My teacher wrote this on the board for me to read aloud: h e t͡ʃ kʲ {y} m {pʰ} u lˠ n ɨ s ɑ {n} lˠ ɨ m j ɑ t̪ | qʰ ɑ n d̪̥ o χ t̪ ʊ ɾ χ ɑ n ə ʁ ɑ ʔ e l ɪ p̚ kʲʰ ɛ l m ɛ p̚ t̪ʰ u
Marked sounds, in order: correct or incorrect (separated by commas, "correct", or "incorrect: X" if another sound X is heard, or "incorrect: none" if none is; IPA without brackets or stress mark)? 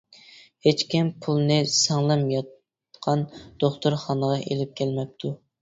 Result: incorrect: i, correct, incorrect: ŋ